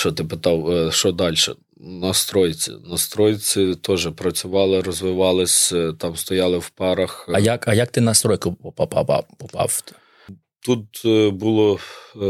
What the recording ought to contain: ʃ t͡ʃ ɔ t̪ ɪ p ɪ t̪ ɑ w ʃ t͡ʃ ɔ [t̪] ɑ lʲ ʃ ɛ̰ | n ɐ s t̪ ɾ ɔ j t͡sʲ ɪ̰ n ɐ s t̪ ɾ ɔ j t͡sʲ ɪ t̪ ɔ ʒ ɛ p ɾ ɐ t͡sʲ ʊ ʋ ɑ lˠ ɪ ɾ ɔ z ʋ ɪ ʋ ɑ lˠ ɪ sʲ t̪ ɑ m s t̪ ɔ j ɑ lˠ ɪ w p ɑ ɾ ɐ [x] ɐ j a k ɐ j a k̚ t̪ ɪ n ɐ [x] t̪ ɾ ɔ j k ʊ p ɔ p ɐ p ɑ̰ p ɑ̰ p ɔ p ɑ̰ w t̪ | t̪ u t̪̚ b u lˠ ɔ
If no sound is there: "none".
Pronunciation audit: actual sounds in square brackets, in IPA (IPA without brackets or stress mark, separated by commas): d̪, x, s